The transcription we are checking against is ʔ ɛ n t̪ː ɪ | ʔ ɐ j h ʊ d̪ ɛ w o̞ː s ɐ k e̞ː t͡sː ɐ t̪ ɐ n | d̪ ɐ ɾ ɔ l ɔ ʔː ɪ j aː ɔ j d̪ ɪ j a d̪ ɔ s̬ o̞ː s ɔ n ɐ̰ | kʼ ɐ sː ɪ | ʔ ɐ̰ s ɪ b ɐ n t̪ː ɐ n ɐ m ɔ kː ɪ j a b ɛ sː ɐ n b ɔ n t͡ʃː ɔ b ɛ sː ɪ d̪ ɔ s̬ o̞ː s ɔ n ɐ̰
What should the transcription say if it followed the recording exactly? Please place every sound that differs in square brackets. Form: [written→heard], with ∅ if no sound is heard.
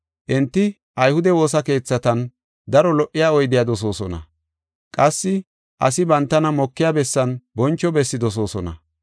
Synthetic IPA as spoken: ʔ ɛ n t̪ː ɪ | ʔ ɐ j h ʊ d̪ ɛ w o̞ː s ɐ k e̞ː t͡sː ɐ t̪ ɐ n | d̪ ɐ ɾ ɔ l ɔ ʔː ɪ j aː ɔ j d̪ ɪ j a d̪ ɔ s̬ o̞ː s ɔ n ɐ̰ | kʼ ɐ sː ɪ | ʔ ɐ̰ s ɪ b ɐ n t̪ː ɐ n ɐ m ɔ kː ɪ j a b ɛ sː ɐ n b ɔ n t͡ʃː ɔ b ɛ sː ɪ d̪ ɔ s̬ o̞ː s ɔ n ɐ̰